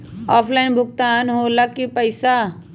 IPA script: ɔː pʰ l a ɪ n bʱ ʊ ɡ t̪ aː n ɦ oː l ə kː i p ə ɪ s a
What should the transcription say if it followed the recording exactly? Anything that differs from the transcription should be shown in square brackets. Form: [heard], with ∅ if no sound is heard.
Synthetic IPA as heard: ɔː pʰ l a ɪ n bʱ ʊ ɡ t̪ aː n ɦ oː l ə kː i p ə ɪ s a